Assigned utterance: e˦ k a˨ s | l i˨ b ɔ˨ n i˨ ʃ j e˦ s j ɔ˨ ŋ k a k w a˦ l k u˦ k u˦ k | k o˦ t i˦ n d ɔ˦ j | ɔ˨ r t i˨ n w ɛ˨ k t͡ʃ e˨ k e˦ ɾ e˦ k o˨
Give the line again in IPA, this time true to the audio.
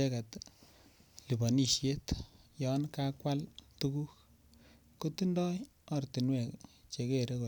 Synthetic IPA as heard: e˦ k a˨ t | l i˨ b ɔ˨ n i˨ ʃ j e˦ t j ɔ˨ n k a k w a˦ l t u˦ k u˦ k | k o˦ t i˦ n d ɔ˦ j | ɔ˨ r t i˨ n w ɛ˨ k t͡ʃ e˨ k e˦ ɾ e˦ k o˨